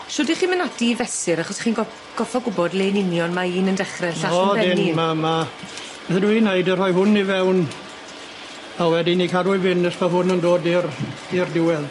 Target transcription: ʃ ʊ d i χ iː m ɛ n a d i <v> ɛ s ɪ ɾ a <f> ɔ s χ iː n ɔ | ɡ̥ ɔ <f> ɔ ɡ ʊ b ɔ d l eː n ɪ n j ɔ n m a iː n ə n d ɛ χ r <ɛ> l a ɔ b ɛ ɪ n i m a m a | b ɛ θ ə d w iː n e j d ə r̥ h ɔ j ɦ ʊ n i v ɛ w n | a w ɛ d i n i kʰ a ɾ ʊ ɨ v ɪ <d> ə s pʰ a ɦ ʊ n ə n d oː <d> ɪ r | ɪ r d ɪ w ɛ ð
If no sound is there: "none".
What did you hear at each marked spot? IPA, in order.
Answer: v, χ, f, ɛ, n, d

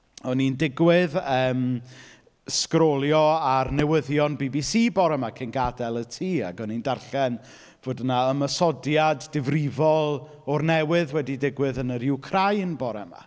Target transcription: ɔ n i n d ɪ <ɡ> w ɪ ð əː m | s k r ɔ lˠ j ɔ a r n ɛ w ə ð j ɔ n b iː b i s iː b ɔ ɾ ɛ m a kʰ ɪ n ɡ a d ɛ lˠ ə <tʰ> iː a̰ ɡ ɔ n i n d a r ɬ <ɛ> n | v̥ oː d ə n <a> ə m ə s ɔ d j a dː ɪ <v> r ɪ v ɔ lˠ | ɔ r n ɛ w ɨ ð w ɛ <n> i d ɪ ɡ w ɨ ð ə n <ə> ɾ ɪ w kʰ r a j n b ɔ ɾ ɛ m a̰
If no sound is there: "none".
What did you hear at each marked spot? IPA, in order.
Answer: ɡ, tʰ, ɛ, a, v, d, ə

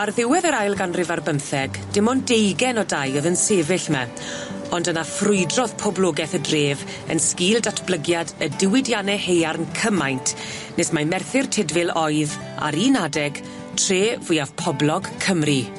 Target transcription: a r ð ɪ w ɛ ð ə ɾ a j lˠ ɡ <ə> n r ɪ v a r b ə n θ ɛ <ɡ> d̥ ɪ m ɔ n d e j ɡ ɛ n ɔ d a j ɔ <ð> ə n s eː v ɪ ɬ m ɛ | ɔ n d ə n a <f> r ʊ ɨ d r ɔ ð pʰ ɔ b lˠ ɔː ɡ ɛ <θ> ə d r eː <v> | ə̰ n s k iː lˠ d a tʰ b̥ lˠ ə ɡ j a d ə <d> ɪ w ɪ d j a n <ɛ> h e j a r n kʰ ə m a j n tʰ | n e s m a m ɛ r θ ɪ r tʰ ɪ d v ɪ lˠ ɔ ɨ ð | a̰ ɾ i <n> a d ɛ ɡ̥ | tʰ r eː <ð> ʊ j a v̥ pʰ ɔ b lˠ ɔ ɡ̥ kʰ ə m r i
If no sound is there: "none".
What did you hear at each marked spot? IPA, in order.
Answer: a, ɡ, ð, f, θ, v, d, ɛ, n, v

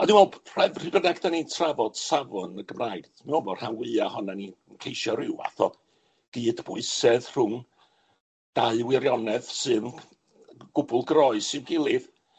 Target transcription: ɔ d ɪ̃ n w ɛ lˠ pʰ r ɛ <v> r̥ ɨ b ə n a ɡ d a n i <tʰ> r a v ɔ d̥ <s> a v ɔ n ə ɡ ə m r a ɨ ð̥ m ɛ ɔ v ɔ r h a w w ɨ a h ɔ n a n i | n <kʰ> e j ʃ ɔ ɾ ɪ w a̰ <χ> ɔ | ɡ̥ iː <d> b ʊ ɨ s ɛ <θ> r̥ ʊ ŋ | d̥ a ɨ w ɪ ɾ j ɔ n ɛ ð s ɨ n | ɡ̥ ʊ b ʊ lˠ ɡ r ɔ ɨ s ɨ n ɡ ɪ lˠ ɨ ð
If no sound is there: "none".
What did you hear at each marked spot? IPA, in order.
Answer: v, tʰ, s, kʰ, θ, d, ð

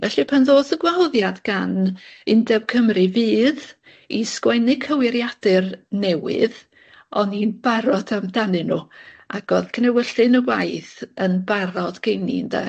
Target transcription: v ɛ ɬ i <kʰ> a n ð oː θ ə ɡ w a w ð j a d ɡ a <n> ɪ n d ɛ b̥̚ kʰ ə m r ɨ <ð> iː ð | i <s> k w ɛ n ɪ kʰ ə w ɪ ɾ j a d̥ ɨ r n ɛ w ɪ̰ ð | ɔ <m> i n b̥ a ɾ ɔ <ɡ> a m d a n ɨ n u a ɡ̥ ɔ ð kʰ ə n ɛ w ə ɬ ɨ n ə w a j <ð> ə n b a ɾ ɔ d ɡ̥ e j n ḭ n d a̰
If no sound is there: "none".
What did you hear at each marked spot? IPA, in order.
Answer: pʰ, n, v, s, n, d, θ

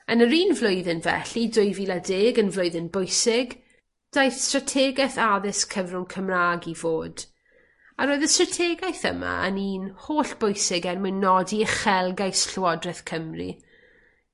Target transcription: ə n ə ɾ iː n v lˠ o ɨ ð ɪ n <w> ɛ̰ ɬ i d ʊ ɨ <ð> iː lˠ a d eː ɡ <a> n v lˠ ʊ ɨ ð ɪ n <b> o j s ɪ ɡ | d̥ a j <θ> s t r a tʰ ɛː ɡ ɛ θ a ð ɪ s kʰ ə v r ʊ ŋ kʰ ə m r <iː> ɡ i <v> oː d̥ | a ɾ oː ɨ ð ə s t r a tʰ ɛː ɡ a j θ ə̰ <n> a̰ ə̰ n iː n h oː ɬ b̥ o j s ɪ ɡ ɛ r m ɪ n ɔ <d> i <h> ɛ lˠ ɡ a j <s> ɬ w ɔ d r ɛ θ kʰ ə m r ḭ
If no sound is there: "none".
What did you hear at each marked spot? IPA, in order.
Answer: v, v, ə, b, θ, aː, v, m, d, χ, s

